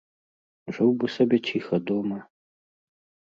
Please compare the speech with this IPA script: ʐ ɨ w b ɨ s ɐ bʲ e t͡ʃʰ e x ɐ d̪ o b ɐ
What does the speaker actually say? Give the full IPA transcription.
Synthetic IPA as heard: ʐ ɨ w b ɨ s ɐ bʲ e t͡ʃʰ i x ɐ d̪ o m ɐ